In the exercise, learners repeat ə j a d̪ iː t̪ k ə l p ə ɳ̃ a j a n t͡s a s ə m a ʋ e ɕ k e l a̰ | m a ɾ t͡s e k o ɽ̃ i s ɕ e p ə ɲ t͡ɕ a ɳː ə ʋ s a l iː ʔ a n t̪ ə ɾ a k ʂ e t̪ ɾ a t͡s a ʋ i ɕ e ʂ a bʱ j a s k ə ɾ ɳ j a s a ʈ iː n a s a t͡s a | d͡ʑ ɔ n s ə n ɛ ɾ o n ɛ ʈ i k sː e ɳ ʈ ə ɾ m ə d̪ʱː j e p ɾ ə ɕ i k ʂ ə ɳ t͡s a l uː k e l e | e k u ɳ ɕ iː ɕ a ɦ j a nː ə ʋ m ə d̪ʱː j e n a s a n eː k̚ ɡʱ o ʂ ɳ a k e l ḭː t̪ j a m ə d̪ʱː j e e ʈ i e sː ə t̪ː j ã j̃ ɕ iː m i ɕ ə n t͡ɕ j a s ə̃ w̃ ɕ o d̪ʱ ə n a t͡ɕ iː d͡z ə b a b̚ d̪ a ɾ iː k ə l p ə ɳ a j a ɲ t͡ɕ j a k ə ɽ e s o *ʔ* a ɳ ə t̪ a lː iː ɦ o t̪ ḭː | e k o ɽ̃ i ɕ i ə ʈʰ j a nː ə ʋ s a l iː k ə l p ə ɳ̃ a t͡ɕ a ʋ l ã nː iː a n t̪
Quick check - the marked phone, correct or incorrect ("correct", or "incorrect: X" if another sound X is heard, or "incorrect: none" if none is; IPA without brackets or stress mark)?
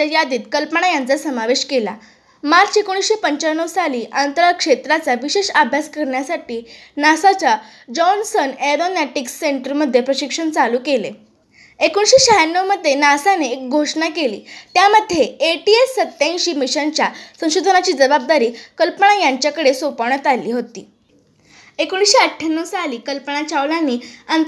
incorrect: p